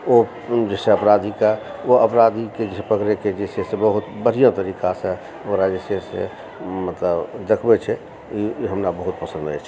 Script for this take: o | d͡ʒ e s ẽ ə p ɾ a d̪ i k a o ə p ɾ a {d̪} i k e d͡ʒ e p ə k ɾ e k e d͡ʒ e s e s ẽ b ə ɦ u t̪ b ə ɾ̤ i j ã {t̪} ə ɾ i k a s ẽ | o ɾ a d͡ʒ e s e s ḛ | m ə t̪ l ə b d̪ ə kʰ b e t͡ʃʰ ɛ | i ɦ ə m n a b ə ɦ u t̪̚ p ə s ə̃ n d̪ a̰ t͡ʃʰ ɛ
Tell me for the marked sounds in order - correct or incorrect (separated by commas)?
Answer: correct, correct